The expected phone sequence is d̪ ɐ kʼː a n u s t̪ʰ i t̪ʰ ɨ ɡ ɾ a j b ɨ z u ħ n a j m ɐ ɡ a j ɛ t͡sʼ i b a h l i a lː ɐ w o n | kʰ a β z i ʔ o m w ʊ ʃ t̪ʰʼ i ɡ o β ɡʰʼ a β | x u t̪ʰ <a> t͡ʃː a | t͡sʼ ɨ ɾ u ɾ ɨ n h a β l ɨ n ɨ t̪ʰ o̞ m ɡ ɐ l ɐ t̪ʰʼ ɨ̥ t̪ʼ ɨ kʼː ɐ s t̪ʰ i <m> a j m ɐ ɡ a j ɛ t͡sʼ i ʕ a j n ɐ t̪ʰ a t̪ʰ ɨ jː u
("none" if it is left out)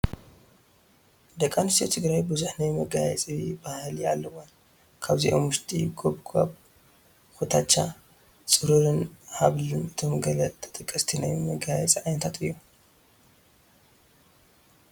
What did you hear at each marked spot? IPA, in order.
a, n

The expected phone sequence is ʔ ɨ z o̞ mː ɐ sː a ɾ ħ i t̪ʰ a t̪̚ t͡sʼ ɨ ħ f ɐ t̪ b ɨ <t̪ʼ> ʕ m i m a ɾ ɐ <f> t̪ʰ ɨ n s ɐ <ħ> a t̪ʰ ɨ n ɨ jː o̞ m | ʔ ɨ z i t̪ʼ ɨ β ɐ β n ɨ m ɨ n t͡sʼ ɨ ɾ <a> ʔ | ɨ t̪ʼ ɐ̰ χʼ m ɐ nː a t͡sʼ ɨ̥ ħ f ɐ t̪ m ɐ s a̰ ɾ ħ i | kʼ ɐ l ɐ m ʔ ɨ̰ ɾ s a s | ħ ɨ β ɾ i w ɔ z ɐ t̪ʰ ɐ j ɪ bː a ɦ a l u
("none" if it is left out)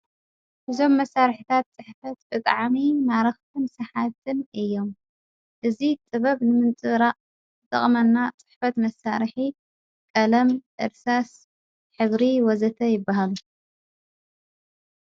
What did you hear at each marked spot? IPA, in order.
t̪ʼ, x, ħ, a

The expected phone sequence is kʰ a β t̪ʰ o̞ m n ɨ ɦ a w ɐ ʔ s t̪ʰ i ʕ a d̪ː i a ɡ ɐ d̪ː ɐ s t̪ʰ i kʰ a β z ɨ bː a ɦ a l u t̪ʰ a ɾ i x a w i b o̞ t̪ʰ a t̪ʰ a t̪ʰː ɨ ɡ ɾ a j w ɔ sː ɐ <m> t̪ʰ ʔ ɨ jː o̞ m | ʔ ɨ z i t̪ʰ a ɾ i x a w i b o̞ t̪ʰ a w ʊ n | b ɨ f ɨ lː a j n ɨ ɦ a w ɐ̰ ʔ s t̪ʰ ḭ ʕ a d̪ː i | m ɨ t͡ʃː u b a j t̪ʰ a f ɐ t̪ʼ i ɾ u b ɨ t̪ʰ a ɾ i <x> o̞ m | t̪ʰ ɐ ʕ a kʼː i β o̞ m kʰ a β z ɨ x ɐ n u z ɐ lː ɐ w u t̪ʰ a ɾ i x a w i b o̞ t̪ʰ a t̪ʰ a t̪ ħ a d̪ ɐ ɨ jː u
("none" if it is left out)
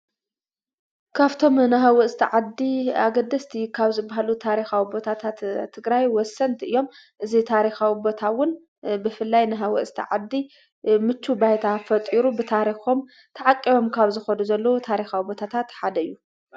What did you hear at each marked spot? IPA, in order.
n, x

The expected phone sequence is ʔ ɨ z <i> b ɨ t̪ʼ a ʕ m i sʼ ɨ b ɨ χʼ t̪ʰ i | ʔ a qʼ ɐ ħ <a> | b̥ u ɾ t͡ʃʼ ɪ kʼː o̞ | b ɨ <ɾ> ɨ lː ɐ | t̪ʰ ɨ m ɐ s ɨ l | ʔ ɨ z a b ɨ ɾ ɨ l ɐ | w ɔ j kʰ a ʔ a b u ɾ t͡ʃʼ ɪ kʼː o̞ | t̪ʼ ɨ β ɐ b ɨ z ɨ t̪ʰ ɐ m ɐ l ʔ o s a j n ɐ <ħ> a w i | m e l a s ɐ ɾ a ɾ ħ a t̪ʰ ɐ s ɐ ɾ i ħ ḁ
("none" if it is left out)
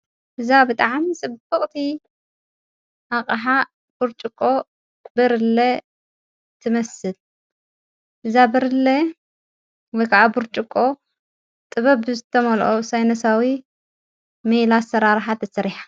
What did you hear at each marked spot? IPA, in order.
a, a, ɾ, s

